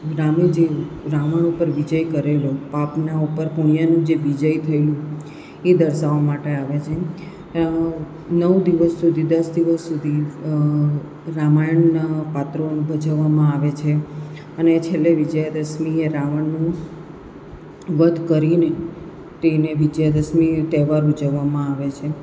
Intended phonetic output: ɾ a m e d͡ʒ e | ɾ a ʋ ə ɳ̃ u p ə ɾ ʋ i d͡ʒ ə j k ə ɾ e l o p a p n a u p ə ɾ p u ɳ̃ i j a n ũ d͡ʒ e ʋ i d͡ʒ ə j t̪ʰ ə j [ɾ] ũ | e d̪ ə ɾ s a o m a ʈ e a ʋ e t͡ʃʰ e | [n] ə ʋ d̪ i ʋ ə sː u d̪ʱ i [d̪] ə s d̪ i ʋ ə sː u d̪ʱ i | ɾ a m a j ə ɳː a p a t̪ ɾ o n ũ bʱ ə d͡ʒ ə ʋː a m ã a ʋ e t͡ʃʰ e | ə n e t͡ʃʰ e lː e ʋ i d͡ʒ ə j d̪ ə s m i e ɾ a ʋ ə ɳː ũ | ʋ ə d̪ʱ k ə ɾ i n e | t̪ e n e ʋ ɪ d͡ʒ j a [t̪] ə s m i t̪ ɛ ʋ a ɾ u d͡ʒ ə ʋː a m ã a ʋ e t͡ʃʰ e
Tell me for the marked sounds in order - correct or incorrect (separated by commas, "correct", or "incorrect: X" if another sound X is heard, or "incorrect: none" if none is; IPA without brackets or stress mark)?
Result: incorrect: l, correct, correct, incorrect: d̪